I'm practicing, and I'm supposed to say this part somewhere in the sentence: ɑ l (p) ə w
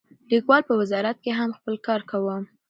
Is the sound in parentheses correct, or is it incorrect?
correct